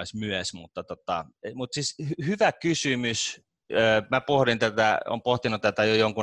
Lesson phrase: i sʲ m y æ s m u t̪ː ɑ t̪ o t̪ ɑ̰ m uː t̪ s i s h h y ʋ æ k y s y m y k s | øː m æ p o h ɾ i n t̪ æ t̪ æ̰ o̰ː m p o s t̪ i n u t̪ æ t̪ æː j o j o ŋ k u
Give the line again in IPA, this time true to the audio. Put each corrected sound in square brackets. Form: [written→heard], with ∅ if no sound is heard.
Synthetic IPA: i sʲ m y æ s m u t̪ː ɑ t̪ o t̪ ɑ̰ m [uː→u] t̪ s i s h h y ʋ æ k y s y m y [k→∅] s | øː m æ p o h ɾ i n t̪ æ t̪ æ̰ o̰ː m p o [s→h] t̪ i n u t̪ æ t̪ [æː→æ] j o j o ŋ k u